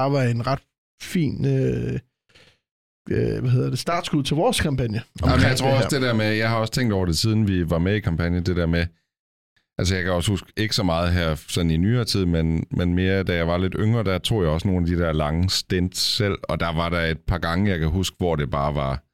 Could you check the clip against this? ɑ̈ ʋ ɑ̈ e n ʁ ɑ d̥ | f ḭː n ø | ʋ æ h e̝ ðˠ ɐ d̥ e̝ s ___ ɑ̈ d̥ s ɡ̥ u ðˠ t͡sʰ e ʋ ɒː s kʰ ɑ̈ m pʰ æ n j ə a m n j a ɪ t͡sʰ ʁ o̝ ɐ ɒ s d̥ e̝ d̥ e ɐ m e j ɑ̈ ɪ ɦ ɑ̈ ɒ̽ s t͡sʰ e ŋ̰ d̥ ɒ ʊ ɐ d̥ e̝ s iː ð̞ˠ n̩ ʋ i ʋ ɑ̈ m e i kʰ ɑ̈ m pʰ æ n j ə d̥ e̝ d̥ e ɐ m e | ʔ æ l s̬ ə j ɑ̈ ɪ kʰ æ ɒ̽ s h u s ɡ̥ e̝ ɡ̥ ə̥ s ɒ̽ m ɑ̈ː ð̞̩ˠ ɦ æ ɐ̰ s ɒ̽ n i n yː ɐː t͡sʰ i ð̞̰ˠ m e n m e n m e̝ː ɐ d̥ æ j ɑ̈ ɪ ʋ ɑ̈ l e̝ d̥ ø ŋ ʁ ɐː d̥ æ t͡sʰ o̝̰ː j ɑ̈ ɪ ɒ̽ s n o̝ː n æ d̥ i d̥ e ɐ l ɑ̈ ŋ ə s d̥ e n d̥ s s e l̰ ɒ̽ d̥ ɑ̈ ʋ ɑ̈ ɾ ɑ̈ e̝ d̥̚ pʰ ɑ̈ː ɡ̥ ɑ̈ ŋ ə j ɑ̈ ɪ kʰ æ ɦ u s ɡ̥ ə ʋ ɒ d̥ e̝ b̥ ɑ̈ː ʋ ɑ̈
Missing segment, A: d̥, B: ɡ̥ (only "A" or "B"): A